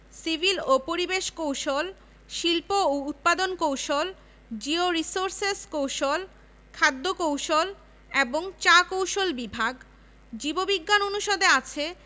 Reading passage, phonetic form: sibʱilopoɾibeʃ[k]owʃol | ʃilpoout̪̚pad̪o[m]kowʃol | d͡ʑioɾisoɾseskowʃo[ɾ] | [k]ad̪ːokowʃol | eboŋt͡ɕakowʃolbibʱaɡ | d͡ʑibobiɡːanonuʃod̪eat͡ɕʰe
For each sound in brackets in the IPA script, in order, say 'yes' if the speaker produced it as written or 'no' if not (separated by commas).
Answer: yes, no, no, no